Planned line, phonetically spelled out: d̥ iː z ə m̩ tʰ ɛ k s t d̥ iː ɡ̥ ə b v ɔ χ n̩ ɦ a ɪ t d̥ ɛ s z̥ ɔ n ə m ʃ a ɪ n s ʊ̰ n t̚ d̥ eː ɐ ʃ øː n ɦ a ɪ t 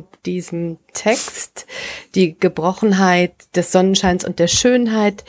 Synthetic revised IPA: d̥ iː z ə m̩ tʰ ɛ k s t d̥ iː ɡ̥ ə b ʁ ɔ χ n̩ ɦ a ɪ t d̥ ɛ s z̥ ɔ n ə n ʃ a ɪ n s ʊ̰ n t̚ d̥ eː ɐ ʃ øː n ɦ a ɪ t